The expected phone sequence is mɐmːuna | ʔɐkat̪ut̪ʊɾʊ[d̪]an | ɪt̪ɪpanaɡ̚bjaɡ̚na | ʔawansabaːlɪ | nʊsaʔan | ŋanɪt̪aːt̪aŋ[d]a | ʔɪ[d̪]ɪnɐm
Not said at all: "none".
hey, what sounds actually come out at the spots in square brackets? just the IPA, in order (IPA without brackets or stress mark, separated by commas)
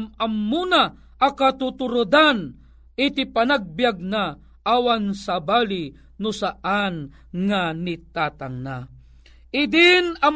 d̪, n, d̪